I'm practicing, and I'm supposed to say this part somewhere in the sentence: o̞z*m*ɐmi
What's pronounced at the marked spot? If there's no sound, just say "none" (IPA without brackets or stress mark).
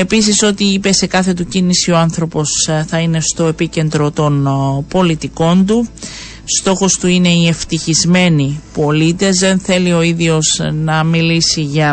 n